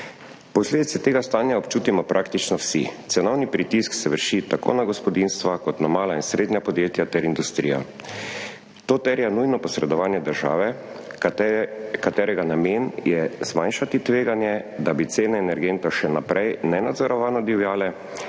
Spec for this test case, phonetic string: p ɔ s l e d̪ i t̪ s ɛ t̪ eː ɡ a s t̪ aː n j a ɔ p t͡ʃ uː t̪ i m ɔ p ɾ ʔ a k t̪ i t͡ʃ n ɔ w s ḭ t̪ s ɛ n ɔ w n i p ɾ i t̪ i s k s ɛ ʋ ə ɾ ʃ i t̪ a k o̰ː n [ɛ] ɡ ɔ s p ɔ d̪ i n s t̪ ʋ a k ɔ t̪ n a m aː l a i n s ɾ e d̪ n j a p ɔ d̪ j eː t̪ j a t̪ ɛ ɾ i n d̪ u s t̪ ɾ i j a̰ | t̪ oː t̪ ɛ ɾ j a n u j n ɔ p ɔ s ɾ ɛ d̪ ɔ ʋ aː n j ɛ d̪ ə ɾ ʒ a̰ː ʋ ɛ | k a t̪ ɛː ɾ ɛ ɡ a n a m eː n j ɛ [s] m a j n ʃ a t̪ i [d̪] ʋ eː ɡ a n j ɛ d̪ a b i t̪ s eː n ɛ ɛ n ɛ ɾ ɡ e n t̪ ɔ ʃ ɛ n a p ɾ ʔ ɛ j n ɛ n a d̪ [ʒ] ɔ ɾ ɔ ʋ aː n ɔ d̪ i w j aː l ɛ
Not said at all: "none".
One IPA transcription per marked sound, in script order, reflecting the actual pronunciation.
a, z, t̪, z

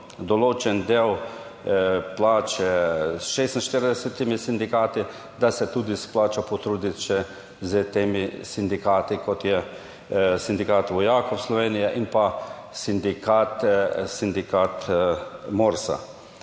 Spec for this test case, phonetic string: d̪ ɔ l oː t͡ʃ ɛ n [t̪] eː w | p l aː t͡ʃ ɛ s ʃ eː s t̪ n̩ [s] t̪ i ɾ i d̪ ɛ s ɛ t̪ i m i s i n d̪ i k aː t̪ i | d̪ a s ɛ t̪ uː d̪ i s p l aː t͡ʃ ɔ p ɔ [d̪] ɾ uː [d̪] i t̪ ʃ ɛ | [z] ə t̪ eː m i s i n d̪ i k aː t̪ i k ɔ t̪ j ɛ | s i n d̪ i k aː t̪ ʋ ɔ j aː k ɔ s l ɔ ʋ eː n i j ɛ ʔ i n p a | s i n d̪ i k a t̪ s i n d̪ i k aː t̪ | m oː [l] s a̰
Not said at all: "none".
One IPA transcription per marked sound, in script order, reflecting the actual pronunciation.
d̪, ʃ, t̪, d̪, z, ɾ

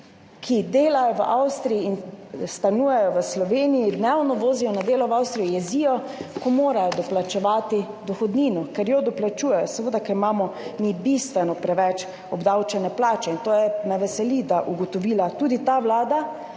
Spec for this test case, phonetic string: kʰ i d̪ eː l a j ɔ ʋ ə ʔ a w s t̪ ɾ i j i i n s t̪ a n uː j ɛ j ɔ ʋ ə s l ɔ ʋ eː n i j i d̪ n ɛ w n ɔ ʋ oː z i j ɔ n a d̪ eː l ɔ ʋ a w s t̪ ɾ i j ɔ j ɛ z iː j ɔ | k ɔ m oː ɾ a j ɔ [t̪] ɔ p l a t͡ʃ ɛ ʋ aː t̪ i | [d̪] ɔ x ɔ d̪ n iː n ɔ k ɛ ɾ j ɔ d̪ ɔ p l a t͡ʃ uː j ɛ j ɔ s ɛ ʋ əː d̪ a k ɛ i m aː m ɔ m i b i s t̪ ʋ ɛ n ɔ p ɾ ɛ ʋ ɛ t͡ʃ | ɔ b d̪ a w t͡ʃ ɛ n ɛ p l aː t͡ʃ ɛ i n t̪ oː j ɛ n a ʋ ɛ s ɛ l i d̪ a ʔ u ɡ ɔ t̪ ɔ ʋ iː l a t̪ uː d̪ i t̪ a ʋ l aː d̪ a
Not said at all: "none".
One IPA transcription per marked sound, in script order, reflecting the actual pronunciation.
d̪, d̪

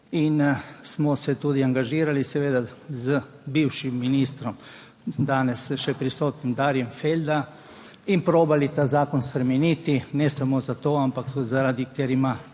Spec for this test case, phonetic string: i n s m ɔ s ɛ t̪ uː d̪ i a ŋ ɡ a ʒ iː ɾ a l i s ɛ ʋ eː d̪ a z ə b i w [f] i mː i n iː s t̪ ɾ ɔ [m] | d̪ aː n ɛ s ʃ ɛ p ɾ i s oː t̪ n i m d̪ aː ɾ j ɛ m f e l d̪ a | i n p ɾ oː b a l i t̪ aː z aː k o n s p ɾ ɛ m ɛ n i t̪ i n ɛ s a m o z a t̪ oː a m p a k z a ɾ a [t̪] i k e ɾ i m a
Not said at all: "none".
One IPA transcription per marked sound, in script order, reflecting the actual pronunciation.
ʃ, m, d̪

